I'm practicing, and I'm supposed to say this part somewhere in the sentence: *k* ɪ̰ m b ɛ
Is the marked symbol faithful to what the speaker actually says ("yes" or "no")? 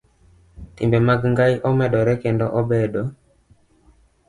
no